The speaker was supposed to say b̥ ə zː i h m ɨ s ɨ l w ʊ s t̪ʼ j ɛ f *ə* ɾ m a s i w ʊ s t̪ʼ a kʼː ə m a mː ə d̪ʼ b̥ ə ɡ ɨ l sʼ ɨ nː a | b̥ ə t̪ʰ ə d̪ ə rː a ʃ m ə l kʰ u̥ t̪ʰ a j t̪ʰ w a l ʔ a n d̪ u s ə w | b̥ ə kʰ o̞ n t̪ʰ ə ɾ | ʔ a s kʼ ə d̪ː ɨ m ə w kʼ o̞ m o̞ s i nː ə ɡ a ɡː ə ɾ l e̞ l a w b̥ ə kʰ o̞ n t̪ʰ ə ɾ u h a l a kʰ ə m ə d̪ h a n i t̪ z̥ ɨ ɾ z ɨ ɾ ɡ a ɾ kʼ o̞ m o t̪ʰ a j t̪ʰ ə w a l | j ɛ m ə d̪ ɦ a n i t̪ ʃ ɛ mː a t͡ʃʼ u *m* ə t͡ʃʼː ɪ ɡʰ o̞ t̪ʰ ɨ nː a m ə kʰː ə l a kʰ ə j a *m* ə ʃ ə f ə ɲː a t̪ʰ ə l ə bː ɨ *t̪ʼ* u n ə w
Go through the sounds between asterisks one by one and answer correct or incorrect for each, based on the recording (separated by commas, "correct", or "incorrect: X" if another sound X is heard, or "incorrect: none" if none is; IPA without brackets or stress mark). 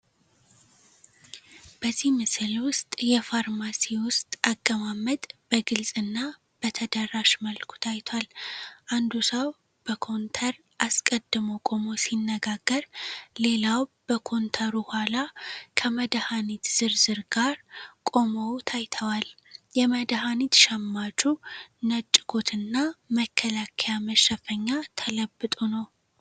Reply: incorrect: a, incorrect: n, correct, correct